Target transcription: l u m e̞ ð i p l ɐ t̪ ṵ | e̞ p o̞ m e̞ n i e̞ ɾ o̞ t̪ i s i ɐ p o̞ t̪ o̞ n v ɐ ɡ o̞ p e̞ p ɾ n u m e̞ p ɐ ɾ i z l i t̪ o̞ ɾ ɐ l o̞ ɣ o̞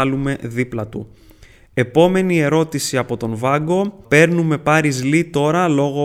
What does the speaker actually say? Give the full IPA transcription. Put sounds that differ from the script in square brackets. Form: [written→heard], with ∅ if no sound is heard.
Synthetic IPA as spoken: l u m e̞ ð i p l ɐ t̪ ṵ | e̞ p o̞ m e̞ n i e̞ ɾ o̞ t̪ i s i ɐ p o̞ t̪ o̞ n v ɐ ɡ o̞ p e̞ [p→∅] ɾ n u m e̞ p ɐ ɾ i z l i t̪ o̞ ɾ ɐ l o̞ ɣ o̞